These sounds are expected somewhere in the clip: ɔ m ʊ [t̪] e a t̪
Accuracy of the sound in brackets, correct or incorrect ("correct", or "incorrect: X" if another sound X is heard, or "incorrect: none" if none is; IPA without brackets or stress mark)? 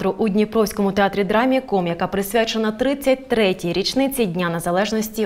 correct